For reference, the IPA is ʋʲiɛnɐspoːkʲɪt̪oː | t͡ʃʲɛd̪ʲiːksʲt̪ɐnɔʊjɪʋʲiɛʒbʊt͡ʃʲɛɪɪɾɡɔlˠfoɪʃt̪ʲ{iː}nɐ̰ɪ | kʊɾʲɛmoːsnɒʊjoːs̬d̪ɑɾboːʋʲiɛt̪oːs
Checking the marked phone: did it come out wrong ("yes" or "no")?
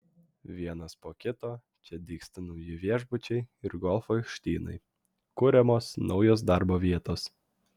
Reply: no